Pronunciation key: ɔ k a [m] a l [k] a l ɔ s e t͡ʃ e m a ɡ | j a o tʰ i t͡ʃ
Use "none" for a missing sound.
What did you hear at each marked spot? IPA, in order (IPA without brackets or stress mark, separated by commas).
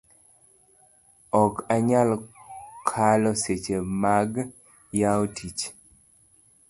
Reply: ɲ, kʰ